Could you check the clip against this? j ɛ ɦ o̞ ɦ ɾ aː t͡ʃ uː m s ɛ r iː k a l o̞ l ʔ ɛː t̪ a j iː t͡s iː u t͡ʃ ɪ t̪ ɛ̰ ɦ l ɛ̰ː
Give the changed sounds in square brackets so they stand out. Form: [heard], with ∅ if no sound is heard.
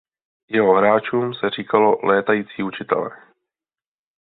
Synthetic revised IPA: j ɛ ɦ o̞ ɦ ɾ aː t͡ʃ uː m s ɛ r iː k a l o̞ l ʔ ɛː t̪ a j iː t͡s iː u t͡ʃ ɪ t̪ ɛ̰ [∅] l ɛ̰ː